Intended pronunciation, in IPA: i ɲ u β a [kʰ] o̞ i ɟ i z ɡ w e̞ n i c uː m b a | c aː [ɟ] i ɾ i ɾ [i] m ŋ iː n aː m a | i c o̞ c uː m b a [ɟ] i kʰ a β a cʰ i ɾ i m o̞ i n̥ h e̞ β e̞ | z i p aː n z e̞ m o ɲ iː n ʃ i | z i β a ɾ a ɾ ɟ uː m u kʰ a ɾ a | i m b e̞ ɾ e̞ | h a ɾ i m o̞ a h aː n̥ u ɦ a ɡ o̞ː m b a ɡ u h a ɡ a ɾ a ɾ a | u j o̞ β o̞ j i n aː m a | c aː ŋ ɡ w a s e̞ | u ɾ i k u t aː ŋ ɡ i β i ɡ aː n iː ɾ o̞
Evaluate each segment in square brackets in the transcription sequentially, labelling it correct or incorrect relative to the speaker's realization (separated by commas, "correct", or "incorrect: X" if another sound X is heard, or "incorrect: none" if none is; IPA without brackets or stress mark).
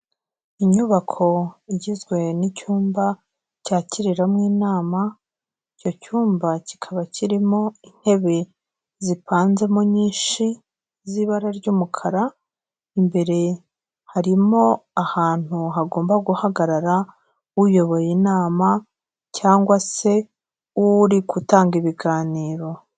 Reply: correct, incorrect: c, incorrect: a, incorrect: c